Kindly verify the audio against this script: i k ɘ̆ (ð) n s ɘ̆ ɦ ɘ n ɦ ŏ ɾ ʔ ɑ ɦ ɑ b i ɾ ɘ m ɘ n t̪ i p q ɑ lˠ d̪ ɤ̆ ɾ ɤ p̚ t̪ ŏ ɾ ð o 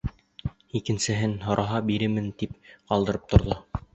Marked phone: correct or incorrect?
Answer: incorrect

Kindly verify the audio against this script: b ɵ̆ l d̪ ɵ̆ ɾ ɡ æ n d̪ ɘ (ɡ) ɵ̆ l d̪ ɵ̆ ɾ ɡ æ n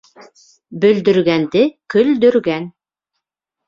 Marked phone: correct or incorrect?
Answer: incorrect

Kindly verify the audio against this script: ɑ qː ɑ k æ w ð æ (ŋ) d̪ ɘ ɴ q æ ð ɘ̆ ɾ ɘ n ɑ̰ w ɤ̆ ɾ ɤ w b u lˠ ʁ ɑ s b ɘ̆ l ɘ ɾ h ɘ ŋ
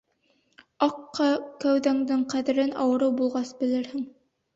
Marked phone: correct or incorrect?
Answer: correct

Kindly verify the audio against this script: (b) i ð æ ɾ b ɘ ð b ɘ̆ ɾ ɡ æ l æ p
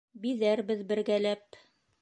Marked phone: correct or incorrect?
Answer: correct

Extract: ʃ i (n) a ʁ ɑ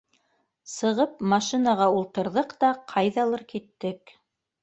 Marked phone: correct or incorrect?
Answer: correct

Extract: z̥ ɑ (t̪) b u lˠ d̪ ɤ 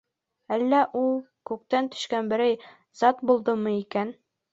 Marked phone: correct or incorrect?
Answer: correct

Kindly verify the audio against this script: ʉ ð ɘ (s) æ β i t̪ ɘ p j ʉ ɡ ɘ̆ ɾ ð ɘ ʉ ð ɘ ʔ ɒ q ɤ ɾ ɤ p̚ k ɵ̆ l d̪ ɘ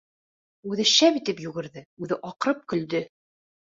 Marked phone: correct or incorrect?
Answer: incorrect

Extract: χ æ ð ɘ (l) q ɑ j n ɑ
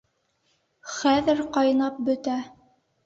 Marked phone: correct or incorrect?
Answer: incorrect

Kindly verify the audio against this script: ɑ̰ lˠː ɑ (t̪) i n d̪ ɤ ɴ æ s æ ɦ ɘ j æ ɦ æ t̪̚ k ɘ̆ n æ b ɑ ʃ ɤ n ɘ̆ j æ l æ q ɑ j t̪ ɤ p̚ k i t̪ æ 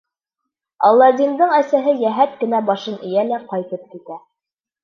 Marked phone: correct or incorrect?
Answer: incorrect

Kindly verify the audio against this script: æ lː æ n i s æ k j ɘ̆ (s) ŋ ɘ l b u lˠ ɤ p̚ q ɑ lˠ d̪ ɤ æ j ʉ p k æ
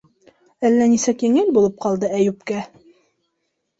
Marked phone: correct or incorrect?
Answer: incorrect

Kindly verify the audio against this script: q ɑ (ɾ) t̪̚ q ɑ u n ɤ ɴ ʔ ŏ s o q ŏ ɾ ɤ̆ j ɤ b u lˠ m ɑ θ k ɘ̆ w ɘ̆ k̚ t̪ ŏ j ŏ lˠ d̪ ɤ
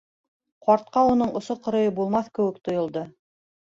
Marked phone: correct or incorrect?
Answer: correct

